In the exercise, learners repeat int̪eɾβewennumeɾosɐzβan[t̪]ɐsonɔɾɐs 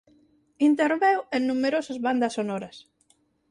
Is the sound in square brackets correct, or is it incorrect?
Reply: incorrect